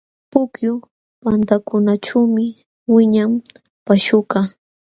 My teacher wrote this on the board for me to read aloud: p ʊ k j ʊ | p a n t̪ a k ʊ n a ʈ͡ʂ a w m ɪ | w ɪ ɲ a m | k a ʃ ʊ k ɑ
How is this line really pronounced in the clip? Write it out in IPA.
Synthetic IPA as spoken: p ʊ k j ʊ | p a n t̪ a k ʊ n a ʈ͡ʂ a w m ɪ | w ɪ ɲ a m | p a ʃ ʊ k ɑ